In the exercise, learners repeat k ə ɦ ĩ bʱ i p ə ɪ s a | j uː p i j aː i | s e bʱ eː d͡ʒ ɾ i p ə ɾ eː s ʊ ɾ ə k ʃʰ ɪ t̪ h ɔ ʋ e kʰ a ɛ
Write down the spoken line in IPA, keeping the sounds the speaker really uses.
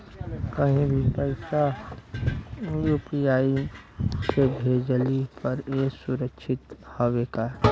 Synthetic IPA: k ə ɦ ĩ bʱ i p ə ɪ s a | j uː p i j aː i | s e bʱ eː d͡ʒ l i p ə ɾ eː s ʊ ɾ ə k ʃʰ ɪ t̪ h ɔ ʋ e k a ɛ